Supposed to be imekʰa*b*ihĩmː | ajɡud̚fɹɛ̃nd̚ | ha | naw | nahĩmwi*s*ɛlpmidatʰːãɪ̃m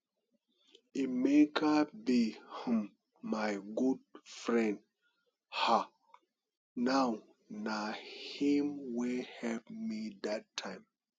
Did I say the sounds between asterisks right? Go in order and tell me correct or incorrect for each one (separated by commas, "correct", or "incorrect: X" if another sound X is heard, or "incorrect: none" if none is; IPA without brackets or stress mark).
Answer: correct, incorrect: h